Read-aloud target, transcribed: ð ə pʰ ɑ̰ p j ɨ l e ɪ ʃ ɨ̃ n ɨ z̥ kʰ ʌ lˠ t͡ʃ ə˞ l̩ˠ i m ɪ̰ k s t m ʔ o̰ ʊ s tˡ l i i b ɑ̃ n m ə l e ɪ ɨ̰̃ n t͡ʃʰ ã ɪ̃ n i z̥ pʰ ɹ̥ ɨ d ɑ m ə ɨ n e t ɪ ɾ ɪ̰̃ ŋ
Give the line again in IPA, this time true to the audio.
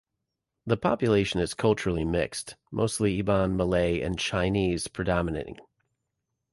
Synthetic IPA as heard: ð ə pʰ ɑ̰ p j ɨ l e ɪ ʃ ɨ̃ n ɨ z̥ kʰ ʌ lˠ t͡ʃ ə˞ l̩ˠ i m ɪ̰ k s t m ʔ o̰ ʊ s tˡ l i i b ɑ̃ n m ə l e ɪ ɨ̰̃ n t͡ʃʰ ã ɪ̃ n i z̥ pʰ ɹ̥ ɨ d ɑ m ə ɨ n e ɪ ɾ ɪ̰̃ ŋ

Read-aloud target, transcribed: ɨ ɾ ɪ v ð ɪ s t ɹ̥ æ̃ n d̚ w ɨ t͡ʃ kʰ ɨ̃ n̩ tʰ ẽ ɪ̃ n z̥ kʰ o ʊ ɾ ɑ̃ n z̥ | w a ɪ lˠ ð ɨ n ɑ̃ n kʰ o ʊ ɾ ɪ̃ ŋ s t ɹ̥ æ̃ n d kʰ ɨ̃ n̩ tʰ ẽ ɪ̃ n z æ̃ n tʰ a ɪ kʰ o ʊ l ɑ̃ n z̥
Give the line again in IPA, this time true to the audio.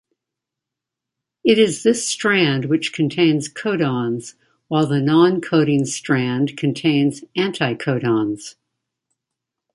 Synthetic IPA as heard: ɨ ɾ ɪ z ð ɪ s t ɹ̥ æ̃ n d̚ w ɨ t͡ʃ kʰ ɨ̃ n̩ tʰ ẽ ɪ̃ n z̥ kʰ o ʊ ɾ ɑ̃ n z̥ | w a ɪ lˠ ð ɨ n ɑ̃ n kʰ o ʊ ɾ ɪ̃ ŋ s t ɹ̥ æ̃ n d kʰ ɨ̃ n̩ tʰ ẽ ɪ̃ n z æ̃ n tʰ a ɪ kʰ o ʊ ɾ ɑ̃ n z̥

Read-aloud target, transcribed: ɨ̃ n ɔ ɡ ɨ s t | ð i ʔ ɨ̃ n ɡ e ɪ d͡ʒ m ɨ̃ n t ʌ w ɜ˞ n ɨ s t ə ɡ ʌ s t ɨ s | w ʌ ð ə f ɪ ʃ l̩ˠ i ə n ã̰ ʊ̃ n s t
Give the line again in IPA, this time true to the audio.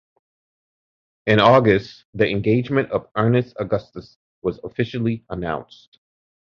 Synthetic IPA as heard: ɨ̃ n ɔ ɡ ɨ s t | ð i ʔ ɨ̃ n ɡ e ɪ d͡ʒ m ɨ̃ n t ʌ v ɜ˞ n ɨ s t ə ɡ ʌ s t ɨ s | w ʌ z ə f ɪ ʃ l̩ˠ i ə n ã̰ ʊ̃ n s t

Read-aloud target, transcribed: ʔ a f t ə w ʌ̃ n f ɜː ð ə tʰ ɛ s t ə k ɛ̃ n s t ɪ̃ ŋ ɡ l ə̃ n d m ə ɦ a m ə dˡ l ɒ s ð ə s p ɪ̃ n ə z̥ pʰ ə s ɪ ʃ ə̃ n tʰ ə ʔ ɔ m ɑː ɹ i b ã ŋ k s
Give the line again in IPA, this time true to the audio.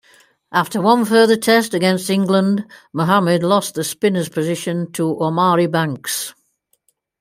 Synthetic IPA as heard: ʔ a f t ə w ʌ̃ n f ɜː ð ə tʰ ɛ s t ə ɡ ɛ̃ n s t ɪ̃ ŋ ɡ l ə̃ n d m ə ɦ a m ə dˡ l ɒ s ð ə s p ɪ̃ n ə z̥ pʰ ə z ɪ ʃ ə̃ n tʰ ə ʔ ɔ m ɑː ɹ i b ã ŋ k s

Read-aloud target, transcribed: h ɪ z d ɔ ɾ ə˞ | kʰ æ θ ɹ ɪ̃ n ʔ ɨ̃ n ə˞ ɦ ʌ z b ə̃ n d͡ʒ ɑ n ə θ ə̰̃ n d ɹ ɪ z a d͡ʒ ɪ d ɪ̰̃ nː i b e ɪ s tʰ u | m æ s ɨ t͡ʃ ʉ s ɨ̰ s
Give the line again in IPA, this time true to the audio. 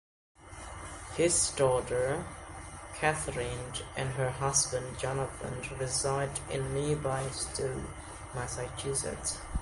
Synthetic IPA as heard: h ɪ z d ɔ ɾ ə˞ | kʰ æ θ ɹ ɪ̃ n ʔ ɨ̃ n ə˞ ɦ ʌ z b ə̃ n d͡ʒ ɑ n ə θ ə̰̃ n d ɹ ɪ z a ɪ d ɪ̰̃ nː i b a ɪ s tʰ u | m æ s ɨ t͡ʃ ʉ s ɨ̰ t

